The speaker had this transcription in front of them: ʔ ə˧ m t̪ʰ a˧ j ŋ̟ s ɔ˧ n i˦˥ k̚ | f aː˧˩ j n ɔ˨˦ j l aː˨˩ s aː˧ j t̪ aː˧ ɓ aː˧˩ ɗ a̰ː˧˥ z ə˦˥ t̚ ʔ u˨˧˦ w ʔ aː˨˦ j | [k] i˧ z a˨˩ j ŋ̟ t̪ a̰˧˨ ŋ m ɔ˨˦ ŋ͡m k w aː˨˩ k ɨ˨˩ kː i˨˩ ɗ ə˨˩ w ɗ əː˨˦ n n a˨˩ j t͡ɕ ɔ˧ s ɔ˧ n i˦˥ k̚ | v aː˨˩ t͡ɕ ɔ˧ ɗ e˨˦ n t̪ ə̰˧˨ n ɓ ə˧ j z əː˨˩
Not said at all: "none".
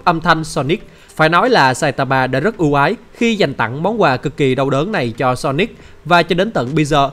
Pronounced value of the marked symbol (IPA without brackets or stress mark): x